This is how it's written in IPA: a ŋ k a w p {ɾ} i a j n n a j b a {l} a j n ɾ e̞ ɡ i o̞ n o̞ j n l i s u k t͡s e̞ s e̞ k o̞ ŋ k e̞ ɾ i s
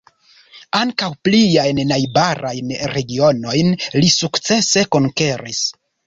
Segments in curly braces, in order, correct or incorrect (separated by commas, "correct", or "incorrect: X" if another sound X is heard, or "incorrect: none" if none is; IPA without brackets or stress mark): incorrect: l, incorrect: ɾ